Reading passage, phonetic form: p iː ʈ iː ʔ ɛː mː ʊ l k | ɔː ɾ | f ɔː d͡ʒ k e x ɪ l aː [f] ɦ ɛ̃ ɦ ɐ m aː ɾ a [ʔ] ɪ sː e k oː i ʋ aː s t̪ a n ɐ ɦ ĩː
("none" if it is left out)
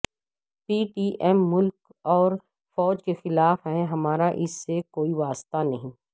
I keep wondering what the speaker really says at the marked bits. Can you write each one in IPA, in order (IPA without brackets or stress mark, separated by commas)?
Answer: f, ʔ